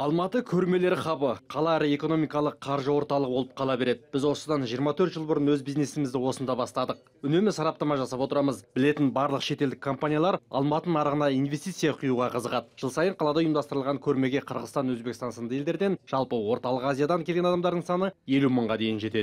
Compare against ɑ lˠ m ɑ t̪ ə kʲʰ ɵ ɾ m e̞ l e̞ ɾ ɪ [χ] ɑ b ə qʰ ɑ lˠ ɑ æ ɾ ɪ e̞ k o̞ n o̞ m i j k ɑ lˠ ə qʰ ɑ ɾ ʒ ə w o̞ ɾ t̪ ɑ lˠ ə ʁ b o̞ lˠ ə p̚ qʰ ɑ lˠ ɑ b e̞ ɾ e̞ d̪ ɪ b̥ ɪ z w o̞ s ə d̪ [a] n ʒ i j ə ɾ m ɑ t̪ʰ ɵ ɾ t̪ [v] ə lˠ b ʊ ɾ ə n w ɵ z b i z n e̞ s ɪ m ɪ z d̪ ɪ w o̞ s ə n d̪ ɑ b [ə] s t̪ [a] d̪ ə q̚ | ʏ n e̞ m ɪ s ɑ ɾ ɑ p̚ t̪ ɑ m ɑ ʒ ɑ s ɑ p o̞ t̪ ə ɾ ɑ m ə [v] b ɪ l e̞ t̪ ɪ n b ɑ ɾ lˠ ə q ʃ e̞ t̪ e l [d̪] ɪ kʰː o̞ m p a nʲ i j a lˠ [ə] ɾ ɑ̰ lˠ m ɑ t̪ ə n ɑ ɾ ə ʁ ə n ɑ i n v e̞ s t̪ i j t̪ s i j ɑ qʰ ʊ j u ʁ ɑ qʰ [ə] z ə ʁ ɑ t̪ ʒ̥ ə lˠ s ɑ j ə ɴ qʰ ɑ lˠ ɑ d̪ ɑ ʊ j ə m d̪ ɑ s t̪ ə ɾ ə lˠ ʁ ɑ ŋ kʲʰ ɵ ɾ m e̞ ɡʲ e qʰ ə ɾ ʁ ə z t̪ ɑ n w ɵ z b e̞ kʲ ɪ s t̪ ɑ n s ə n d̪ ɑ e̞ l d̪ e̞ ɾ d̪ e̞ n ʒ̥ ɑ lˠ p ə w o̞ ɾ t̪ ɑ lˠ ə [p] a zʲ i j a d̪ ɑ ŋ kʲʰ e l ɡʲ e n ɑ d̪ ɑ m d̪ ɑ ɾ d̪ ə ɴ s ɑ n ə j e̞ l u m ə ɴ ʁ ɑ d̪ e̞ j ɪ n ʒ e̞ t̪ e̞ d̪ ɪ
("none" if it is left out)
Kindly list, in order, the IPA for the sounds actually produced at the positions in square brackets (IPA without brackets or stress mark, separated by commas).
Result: χ, ɑ, ʒ, ɑ, ɑ, z, d̪, ɑ, ə, q